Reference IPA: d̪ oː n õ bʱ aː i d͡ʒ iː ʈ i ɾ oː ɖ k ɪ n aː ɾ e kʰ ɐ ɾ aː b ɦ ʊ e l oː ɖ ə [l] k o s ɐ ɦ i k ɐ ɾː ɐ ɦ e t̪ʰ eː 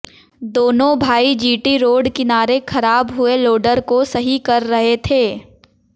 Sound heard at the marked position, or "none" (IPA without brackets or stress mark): ɾ